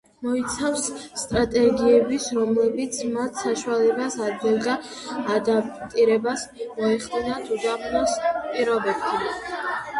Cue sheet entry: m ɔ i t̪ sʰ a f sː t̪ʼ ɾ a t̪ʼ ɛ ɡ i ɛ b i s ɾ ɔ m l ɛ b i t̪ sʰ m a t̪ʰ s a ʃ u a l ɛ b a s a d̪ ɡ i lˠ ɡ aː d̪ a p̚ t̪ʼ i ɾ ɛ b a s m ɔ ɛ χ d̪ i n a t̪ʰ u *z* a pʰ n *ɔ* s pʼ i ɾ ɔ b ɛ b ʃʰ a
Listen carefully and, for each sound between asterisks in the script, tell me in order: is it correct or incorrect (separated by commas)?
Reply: correct, correct